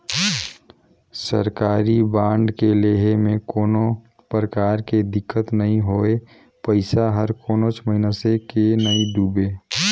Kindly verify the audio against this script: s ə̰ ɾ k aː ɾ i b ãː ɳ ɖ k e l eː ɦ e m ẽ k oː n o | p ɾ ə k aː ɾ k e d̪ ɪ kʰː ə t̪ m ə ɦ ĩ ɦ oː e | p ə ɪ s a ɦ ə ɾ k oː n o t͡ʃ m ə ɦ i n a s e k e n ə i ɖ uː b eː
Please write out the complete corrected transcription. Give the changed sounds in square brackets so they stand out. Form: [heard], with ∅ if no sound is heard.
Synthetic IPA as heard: s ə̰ ɾ k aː ɾ i b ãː ɳ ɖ k e l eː ɦ e m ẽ k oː n o | p ɾ ə k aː ɾ k e d̪ ɪ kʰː ə t̪ [n] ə ɦ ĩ ɦ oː e | p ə ɪ s a ɦ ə ɾ k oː n o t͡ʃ m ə ɦ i n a s e k e n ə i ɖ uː b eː